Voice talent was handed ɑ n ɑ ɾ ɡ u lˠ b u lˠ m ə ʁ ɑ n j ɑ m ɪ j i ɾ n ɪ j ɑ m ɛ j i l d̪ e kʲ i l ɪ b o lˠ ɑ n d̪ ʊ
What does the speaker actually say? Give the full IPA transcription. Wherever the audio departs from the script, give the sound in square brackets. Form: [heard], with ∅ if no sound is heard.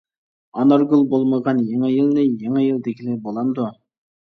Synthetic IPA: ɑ n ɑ ɾ ɡ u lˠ b [o] lˠ m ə ʁ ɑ n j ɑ [ŋ] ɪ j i [l] n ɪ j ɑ [ŋ] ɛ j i l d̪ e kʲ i l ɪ b o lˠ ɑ n d̪ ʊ

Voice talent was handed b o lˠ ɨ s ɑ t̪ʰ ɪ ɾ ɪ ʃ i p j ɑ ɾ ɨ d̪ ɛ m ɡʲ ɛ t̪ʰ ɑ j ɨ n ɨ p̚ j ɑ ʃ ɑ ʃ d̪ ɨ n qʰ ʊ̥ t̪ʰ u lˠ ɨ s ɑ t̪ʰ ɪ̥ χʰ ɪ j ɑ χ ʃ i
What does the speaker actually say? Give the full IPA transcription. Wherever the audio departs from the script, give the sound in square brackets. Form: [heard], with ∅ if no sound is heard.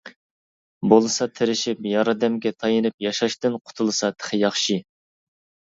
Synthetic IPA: b o lˠ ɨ s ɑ t̪ʰ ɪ ɾ ɪ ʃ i p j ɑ ɾ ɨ d̪ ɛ m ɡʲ ɛ t̪ʰ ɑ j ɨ n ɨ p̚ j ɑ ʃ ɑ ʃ [t̪] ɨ n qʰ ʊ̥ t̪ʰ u lˠ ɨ s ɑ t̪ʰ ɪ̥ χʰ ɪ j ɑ χ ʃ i

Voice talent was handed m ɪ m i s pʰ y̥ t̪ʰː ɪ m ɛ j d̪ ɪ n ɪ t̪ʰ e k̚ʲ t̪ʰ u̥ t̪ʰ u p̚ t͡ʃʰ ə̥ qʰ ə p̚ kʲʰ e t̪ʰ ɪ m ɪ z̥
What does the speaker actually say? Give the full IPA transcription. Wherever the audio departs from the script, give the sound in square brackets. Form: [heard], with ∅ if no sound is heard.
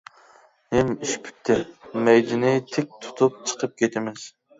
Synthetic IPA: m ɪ m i [ʃ] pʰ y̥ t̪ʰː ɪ m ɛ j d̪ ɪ n ɪ t̪ʰ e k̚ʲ t̪ʰ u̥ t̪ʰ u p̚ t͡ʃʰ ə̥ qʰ ə p̚ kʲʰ e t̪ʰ ɪ m ɪ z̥

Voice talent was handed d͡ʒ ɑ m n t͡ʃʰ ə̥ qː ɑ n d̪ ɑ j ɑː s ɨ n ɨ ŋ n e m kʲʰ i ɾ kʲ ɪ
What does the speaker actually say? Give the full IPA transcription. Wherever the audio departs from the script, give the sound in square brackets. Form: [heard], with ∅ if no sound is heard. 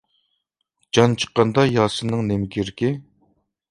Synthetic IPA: d͡ʒ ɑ [∅] n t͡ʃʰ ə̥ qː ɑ n d̪ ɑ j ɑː s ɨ n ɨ ŋ n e m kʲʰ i ɾ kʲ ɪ

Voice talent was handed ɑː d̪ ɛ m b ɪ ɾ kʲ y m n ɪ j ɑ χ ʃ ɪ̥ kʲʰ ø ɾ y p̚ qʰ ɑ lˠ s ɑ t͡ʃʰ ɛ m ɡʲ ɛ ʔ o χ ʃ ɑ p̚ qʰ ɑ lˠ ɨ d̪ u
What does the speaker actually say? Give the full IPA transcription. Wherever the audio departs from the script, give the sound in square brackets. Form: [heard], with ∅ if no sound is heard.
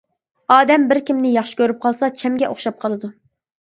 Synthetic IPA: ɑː d̪ ɛ m b ɪ ɾ kʲ [i] m n ɪ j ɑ χ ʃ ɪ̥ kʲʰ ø ɾ y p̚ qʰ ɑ lˠ s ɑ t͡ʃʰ ɛ m ɡʲ ɛ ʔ o χ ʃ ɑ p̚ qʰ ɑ lˠ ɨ d̪ u

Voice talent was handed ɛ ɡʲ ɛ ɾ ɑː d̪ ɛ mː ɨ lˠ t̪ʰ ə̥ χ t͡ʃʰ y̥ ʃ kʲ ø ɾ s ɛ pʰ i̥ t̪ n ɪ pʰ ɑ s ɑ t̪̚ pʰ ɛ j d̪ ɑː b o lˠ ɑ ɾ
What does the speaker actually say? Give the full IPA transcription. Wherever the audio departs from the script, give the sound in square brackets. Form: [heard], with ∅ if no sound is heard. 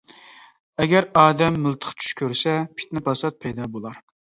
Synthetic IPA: ɛ ɡʲ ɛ ɾ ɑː d̪ ɛ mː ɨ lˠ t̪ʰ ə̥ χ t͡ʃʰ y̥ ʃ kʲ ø ɾ s ɛ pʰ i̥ t̪ n ɪ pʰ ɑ s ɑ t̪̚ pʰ ɛ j d̪ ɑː b o lˠ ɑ ɾ

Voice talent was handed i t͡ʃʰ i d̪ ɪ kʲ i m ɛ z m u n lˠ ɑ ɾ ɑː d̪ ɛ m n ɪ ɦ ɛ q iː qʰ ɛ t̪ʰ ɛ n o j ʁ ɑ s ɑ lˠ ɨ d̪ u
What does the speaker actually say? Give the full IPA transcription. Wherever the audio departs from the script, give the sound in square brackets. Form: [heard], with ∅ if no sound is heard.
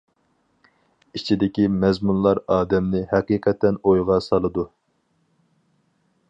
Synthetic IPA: i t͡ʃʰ i d̪ ɪ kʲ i m ɛ z m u n lˠ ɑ ɾ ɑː d̪ ɛ m n ɪ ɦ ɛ q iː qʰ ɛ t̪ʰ ɛ n o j ʁ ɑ s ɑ lˠ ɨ d̪ u

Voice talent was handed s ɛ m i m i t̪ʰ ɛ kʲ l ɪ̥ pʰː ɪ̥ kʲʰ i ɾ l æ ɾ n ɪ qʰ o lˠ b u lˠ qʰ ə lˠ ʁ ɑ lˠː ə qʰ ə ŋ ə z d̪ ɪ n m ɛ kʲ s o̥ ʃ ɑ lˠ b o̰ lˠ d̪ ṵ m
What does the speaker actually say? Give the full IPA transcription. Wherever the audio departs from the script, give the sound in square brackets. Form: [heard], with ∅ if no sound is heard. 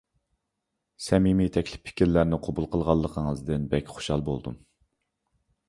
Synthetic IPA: s ɛ m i m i t̪ʰ ɛ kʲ l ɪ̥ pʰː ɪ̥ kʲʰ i ɾ l æ ɾ n ɪ qʰ o [∅] b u lˠ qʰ ə lˠ ʁ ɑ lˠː ə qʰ ə ŋ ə z d̪ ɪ n [b] ɛ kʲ [χ] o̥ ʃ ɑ lˠ b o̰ lˠ d̪ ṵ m

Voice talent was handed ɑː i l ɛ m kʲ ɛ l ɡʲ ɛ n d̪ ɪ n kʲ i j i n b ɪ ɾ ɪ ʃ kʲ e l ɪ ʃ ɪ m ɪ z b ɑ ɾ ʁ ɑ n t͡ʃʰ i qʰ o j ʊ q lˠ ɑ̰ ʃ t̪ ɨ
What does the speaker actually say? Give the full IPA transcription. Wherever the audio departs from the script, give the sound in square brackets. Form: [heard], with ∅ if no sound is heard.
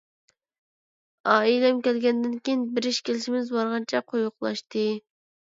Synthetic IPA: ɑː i l ɛ m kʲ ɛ l ɡʲ ɛ n d̪ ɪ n kʲ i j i n b ɪ ɾ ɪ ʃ kʲ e l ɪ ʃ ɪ m ɪ z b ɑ ɾ ʁ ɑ n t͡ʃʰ [ɛ] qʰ o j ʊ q lˠ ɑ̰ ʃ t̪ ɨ

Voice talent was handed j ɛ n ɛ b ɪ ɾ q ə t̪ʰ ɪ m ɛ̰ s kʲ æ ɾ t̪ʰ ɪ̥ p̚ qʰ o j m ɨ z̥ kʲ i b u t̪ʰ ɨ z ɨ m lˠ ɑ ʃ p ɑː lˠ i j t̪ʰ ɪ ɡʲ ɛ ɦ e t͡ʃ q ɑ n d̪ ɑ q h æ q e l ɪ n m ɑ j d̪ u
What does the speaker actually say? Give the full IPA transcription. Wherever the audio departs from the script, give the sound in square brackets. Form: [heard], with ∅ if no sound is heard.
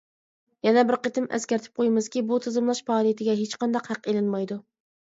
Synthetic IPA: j ɛ n ɛ b ɪ ɾ q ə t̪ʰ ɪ m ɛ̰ s kʲ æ ɾ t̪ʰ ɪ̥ p̚ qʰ o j m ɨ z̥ kʲ i b u t̪ʰ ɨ z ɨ m lˠ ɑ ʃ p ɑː lˠ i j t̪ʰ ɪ ɡʲ ɛ ɦ e t͡ʃ q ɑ n d̪ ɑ q h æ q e l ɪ n m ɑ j d̪ u

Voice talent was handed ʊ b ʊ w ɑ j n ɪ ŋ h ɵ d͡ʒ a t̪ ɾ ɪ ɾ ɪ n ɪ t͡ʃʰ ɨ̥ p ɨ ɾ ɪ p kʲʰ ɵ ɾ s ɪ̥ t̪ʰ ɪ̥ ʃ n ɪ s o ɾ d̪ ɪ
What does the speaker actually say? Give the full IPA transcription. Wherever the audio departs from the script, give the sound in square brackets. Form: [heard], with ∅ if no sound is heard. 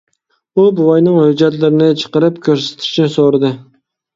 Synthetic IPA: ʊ b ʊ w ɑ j n ɪ ŋ h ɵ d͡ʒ a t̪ [l] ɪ ɾ ɪ n ɪ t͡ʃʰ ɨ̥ [q] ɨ ɾ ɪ p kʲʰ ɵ ɾ s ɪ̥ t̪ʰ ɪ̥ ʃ n ɪ s o ɾ d̪ ɪ

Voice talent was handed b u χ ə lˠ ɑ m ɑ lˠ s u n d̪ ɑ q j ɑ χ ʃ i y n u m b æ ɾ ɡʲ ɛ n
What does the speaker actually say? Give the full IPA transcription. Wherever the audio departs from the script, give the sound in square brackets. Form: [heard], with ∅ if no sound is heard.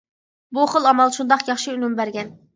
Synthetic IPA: b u χ ə lˠ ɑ m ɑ lˠ [ʃ] u n d̪ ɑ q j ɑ χ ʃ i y n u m b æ ɾ ɡʲ ɛ n

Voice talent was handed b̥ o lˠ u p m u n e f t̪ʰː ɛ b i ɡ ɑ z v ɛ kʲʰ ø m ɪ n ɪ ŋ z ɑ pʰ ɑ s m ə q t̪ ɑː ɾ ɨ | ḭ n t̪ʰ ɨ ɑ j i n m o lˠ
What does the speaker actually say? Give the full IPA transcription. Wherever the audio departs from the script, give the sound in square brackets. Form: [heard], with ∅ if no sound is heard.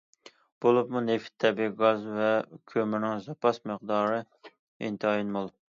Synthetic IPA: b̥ o lˠ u p m u n e f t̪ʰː ɛ b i ɡ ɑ z v ɛ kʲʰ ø m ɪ n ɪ ŋ z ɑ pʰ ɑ s m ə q [d̪] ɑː ɾ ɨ | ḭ n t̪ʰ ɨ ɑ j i n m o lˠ

